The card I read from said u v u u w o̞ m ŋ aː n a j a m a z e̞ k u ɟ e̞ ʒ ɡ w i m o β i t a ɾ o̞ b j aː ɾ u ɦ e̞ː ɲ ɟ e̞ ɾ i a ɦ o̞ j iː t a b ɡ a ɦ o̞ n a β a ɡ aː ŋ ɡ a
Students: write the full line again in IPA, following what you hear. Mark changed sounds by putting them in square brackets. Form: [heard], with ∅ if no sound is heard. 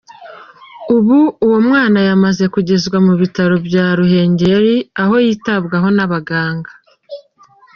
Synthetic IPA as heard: u [β] u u w o̞ m ŋ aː n a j a m a z e̞ k u ɟ e̞ [z] ɡ w [a] m [u] β i t a ɾ o̞ b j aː ɾ u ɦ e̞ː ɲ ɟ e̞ ɾ i a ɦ o̞ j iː t a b ɡ a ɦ o̞ n a β a ɡ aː ŋ ɡ a